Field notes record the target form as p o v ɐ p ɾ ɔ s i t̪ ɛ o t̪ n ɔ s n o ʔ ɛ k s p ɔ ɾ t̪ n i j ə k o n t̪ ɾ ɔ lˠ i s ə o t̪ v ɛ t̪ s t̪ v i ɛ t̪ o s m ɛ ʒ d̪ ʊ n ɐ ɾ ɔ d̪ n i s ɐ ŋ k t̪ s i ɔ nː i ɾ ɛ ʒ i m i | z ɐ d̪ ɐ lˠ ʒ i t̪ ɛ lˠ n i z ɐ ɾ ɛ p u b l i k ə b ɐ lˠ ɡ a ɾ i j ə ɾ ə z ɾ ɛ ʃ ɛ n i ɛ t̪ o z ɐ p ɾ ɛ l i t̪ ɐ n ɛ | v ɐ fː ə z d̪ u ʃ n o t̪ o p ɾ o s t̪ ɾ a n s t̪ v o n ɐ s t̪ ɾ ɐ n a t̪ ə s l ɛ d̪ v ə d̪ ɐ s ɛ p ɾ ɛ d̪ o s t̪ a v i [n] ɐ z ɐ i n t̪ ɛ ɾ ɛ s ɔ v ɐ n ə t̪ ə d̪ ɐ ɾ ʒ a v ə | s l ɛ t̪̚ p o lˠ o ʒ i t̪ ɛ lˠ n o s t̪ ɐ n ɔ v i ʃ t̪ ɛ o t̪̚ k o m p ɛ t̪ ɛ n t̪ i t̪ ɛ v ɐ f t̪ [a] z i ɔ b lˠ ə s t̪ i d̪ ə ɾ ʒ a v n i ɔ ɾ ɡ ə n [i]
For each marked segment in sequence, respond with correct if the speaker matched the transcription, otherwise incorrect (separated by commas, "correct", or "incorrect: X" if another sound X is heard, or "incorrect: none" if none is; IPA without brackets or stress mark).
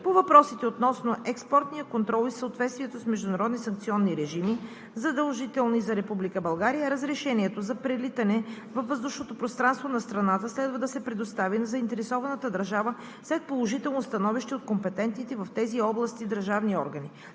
correct, incorrect: ɛ, correct